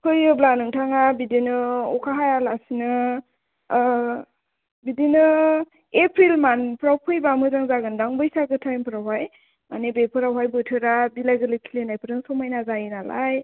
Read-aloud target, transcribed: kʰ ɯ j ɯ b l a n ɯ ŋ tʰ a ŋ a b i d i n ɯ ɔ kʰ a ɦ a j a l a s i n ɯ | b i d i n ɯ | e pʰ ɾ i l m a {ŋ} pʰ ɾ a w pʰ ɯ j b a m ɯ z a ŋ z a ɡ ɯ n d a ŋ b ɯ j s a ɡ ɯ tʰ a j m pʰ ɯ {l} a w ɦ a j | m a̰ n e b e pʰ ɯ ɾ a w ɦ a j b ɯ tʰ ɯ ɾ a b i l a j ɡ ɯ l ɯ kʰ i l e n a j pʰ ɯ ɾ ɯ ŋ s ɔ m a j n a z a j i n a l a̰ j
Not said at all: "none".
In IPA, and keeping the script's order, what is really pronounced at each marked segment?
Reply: n, ɾ

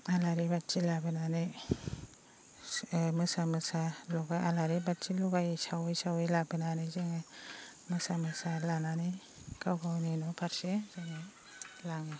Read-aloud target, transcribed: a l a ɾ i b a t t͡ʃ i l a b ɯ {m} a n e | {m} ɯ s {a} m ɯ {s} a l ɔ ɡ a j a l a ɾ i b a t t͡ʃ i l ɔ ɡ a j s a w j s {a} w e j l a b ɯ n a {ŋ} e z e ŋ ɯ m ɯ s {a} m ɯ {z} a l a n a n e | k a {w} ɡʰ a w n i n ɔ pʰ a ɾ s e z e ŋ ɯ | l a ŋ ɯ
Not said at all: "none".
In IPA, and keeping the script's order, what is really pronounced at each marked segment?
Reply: n, m, a, s, a, n, a, s, w

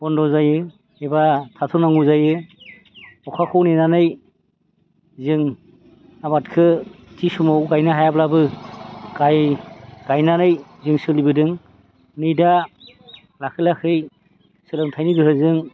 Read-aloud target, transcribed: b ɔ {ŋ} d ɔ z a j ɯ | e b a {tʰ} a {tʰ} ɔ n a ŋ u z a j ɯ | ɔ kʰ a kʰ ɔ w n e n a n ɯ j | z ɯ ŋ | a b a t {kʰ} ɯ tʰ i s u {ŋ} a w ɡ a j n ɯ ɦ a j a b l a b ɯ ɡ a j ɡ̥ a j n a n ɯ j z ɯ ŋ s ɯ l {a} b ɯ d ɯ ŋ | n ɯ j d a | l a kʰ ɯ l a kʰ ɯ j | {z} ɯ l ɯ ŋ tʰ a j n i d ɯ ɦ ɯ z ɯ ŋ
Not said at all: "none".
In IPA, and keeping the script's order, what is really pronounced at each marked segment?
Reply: n, tʰ, tʰ, kʰ, m, i, s

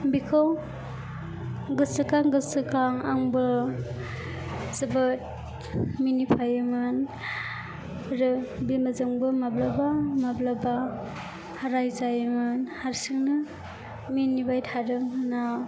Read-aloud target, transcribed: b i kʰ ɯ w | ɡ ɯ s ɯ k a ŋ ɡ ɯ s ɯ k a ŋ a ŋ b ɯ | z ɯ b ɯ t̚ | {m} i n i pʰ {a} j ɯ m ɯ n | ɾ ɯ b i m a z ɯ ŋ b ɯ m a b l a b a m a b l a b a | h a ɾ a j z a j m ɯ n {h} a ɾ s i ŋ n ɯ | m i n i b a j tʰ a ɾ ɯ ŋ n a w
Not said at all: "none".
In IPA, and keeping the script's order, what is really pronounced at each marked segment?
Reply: m, a, h

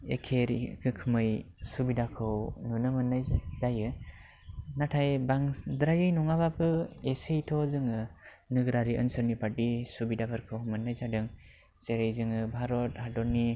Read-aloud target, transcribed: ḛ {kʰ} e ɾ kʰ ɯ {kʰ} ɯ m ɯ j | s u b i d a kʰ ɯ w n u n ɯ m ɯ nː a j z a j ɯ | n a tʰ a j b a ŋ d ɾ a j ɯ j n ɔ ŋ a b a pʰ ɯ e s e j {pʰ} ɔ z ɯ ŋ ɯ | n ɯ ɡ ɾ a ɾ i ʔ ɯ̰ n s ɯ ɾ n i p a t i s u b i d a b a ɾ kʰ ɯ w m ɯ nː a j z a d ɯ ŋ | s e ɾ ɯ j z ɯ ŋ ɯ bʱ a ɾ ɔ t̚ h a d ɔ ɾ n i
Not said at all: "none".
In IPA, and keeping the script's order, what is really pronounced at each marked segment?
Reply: kʰ, kʰ, tʰ

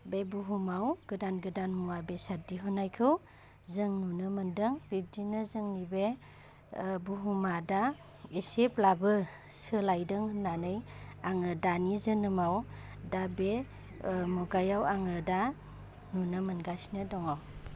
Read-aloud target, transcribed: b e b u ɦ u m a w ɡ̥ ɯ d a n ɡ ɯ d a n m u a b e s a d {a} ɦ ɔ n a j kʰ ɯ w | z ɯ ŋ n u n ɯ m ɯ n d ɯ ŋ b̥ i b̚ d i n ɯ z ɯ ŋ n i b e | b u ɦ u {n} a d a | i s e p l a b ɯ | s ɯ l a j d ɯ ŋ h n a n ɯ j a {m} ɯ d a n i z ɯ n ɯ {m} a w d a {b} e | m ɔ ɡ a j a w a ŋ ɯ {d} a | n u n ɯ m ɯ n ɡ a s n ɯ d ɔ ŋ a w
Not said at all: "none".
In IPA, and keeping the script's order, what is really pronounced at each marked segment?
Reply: i, m, ŋ, m, b, d

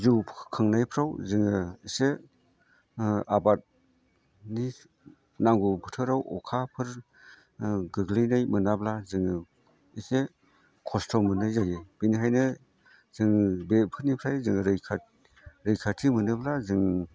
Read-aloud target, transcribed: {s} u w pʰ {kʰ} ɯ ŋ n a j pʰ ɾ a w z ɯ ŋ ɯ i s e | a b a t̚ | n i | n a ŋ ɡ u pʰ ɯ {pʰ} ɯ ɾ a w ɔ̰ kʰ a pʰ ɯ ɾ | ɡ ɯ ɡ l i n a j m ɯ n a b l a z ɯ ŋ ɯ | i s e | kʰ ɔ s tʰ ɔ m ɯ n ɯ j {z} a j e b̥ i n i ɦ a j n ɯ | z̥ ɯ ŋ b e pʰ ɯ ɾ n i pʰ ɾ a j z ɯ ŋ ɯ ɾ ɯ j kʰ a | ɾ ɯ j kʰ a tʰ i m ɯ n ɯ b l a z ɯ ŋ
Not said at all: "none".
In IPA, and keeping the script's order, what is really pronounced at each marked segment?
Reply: z, kʰ, tʰ, z

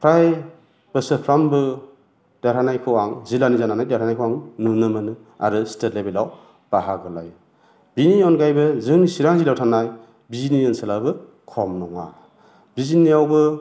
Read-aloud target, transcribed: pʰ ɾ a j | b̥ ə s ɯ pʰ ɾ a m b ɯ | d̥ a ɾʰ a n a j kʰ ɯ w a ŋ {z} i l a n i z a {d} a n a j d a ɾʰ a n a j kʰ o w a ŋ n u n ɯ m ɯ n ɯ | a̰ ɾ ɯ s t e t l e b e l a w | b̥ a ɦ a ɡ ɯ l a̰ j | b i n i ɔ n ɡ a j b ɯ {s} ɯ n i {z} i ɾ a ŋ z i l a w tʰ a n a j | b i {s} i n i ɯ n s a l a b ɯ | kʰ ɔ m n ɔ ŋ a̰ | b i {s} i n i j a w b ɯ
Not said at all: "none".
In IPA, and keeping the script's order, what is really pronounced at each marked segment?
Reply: z, n, z, s, z, z

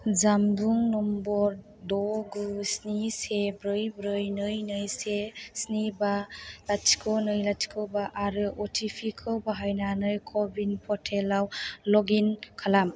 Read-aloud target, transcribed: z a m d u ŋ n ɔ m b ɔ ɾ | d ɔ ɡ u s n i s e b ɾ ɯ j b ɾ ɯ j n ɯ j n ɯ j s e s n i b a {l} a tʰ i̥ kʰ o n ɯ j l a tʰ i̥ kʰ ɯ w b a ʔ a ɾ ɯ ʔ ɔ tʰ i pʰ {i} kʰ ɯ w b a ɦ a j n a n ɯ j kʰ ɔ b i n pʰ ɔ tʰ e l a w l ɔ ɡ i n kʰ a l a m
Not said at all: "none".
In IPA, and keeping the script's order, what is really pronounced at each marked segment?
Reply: l, i

